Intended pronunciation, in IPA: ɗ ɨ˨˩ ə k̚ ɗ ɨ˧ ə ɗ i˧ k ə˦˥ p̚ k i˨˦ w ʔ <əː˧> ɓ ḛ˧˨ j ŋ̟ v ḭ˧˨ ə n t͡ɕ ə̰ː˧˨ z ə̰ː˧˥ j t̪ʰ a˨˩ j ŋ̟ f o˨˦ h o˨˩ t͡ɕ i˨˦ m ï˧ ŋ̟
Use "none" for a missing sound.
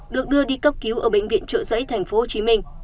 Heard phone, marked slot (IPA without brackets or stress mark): əː˧˩